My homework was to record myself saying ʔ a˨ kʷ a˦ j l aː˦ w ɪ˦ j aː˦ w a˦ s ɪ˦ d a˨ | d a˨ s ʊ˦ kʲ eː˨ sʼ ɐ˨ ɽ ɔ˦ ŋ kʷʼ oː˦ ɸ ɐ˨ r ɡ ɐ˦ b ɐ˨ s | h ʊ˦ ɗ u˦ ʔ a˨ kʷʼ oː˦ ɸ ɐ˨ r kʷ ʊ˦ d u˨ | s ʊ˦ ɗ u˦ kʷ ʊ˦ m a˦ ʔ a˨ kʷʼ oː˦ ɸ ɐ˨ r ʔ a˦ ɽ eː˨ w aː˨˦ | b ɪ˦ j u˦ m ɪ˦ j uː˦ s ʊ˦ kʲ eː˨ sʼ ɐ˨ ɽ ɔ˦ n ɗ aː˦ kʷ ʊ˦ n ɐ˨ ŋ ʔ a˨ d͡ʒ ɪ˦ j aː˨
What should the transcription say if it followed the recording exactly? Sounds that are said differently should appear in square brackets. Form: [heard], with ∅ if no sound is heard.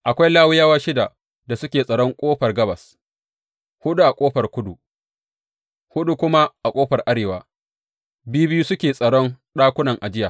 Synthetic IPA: ʔ a˨ kʷ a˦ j l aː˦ w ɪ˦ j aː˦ w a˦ [ʃ] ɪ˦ d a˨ | d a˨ s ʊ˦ kʲ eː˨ sʼ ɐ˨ ɽ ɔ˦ ŋ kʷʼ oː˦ ɸ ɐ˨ r ɡ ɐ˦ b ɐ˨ s | h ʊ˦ ɗ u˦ ʔ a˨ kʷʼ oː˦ ɸ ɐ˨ r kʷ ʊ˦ d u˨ | [h] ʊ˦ ɗ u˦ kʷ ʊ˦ m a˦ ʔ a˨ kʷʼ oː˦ ɸ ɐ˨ r ʔ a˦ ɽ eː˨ w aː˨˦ | b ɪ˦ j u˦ [b] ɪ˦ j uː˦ s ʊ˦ kʲ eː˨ sʼ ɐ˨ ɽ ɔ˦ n ɗ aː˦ kʷ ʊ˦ n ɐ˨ ŋ ʔ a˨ d͡ʒ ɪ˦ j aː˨